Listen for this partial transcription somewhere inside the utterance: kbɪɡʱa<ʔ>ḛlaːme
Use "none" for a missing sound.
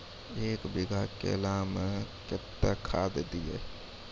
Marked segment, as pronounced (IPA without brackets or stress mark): k